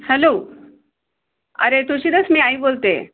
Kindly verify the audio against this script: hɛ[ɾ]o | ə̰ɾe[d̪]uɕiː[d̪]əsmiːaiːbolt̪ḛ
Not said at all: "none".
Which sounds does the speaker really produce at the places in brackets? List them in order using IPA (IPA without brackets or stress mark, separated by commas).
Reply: l, t̪, d̪